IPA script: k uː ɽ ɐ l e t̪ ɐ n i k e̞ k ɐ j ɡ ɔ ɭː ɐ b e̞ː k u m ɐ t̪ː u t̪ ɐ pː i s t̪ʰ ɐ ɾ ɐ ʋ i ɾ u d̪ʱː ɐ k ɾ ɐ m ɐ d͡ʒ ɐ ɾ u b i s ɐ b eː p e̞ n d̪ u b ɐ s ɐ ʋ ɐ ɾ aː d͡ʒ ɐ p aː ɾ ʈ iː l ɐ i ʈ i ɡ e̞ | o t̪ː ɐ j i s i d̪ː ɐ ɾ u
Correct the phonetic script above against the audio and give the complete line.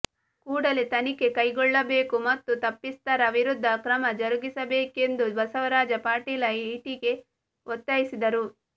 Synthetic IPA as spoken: k uː ɽ ɐ l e t̪ ɐ n i k e̞ k ɐ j ɡ ɔ ɭː ɐ b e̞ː k u m ɐ t̪ː u t̪ ɐ pː i s t̪ ɐ ɾ ɐ ʋ i ɾ u d̪ʱː ɐ k ɾ ɐ m ɐ d͡ʒ ɐ ɾ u ɡ i s ɐ b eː k e̞ n d̪ u b ɐ s ɐ ʋ ɐ ɾ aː d͡ʒ ɐ p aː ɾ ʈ iː l ɐ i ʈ i ɡ e̞ | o t̪ː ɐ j i s i d̪ ɐ ɾ u